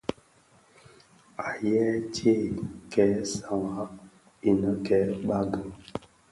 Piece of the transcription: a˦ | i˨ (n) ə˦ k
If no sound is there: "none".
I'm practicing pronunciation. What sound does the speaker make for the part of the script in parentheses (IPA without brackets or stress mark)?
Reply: n